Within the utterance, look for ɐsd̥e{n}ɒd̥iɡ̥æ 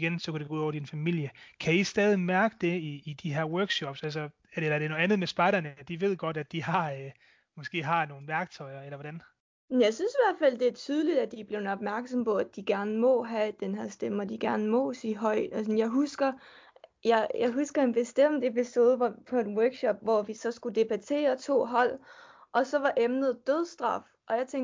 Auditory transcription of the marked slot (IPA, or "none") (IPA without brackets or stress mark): m